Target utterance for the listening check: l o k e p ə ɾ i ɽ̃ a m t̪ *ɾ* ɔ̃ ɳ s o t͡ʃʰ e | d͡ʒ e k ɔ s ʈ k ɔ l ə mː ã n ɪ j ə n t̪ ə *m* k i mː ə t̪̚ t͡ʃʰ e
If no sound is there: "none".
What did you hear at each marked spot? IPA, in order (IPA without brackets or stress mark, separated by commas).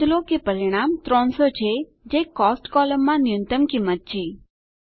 ɾ, m